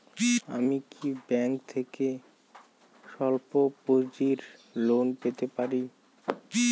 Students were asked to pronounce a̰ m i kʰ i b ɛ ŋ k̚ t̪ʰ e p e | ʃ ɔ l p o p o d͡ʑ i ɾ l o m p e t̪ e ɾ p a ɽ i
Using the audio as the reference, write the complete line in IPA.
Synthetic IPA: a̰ m i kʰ i b ɛ ŋ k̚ t̪ʰ e k e | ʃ ɔ l p o p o d͡ʑ i ɾ l o n p e t̪ e p a ɾ i